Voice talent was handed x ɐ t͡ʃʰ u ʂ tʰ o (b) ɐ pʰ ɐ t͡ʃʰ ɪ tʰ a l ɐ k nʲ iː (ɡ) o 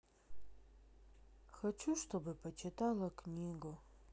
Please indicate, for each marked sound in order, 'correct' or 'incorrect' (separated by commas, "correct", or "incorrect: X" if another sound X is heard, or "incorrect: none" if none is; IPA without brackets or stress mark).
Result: correct, correct